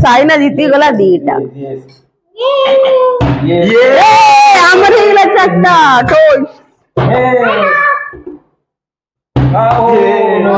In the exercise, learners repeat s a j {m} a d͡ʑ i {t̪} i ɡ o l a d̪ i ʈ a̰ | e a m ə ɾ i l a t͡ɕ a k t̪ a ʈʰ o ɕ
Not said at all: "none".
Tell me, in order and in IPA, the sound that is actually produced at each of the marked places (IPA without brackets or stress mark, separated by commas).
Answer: n, t̪